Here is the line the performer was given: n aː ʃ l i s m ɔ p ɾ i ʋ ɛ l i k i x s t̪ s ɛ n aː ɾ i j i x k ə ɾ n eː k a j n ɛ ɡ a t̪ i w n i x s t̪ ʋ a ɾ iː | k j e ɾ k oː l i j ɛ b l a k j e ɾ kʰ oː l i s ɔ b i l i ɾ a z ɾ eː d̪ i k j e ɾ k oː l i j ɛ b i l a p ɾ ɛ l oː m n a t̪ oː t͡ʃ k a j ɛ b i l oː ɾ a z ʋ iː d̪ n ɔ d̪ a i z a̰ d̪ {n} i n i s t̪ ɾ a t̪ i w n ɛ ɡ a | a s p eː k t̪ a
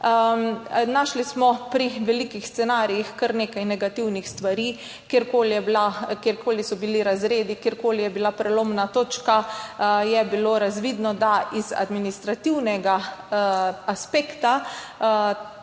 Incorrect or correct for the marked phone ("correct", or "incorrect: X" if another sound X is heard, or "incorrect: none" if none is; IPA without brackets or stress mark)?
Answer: incorrect: m